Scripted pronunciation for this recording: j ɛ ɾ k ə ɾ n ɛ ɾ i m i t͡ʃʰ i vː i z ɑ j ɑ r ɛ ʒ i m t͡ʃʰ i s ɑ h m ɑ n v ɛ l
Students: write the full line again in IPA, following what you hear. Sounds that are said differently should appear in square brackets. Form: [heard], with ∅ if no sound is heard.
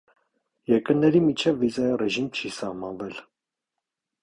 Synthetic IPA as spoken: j ɛ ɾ k ə ɾ n ɛ ɾ i m i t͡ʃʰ [ɛ] vː i z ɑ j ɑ r ɛ ʒ i m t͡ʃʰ i s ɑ h m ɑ n v ɛ l